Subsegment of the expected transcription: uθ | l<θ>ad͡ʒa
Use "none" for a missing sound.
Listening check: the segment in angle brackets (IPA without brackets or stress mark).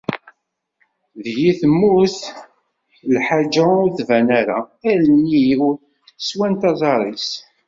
ħ